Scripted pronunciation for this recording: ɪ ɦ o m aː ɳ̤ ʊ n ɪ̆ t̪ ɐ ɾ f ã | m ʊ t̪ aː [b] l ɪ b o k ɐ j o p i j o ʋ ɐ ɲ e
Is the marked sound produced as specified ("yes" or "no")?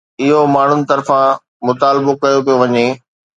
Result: no